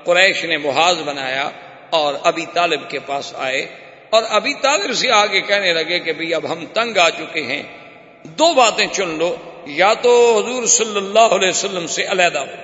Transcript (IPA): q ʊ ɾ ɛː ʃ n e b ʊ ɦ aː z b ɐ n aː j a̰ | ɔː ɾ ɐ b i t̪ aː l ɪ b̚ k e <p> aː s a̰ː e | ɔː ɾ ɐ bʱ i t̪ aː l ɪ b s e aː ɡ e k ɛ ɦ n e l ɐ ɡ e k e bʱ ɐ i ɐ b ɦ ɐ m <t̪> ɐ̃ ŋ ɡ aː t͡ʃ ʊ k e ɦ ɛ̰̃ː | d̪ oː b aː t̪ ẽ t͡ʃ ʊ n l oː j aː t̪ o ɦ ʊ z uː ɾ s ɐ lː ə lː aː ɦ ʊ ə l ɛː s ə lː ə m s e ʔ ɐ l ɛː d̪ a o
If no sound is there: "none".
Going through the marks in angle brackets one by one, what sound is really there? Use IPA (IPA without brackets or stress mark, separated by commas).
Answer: p, t̪